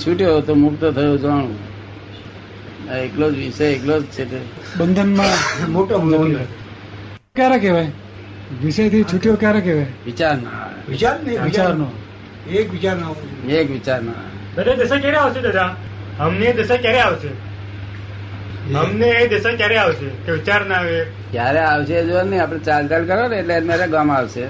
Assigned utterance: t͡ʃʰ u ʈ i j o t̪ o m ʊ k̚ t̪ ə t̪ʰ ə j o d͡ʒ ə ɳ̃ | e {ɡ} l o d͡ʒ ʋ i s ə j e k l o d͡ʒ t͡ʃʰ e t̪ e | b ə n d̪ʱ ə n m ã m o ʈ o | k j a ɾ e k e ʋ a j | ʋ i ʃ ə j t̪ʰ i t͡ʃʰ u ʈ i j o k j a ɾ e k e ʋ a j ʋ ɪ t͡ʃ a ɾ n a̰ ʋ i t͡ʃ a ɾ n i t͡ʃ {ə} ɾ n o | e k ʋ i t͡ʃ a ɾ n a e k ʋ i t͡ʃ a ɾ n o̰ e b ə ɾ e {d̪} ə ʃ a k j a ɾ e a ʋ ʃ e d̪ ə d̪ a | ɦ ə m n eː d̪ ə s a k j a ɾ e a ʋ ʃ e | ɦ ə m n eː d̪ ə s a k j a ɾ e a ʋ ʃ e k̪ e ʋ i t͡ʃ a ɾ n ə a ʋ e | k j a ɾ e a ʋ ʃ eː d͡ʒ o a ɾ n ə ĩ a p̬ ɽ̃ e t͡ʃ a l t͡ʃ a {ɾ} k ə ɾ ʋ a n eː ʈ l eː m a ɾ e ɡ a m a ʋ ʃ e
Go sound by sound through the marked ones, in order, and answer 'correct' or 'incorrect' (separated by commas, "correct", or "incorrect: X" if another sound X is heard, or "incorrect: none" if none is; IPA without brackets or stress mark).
incorrect: k, incorrect: a, correct, incorrect: l